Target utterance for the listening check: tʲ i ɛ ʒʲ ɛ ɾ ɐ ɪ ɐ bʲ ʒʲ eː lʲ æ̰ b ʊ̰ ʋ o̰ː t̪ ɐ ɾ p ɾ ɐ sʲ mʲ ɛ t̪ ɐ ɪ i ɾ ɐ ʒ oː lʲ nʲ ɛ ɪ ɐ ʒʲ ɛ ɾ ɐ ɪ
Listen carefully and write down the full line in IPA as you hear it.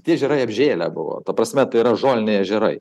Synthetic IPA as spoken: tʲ i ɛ ʒʲ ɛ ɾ ɐ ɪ ɐ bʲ ʒʲ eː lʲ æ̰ b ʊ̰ ʋ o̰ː t̪ ɐ p ɾ ɐ sʲ mʲ ɛ t̪ ɐ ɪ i ɾ ɐ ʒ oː lʲ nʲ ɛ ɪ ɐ ʒʲ ɛ ɾ ɐ ɪ